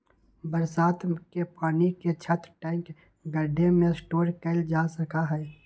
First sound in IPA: b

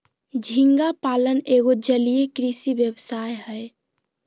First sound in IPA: d͡ʒʱ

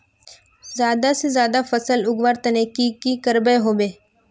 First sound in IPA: z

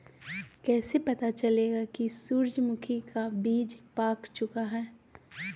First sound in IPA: k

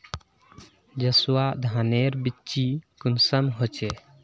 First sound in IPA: d͡ʒ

